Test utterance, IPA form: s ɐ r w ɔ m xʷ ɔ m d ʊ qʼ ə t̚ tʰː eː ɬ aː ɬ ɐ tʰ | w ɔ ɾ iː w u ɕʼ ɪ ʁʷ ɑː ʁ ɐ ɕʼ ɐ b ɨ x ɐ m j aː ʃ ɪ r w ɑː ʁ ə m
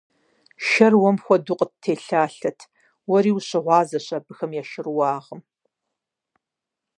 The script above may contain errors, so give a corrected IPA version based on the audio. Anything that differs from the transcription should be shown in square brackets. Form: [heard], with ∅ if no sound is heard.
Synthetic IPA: [ʃ] ɐ r w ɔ m xʷ ɔ [∅] d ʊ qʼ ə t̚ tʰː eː ɬ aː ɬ ɐ tʰ | w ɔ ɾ iː w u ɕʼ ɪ ʁʷ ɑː [z] ɐ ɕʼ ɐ b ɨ x ɐ m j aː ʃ ɪ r w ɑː ʁ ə m